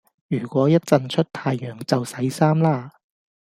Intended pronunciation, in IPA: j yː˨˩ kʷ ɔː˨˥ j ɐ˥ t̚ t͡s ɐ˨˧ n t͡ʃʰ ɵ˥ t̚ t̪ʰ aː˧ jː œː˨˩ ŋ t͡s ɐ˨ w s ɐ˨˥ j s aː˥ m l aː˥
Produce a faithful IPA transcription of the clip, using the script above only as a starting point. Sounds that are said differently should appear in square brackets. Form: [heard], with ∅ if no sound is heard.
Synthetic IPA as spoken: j yː˨˩ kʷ ɔː˨˥ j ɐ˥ t̚ t͡s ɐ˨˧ n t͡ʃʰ ɵ˥ t̚ t̪ʰ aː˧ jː œː˨˩ ŋ t͡s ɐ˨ w s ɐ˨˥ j s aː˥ m l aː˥